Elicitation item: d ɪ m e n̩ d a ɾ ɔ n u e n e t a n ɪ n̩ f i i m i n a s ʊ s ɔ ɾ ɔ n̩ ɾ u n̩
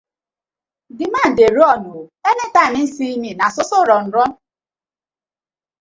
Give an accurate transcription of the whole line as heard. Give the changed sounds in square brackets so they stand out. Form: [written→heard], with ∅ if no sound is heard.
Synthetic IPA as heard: d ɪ m [e→a] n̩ d [a→e] ɾ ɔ n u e n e t a n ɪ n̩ [f→s] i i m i n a s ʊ s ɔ ɾ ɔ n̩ ɾ [u→ɔ] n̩